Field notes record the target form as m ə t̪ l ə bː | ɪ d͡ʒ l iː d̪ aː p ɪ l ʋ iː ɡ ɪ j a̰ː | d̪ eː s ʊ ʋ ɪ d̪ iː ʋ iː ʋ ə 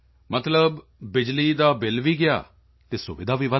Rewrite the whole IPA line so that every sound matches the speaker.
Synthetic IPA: m ə t̪ l ə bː | ɪ d͡ʒ l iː d̪ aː b ɪ l ʋ iː ɡ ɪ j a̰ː | t̪ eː s ʊ ʋ ɪ d̪ aː ʋ iː ʋ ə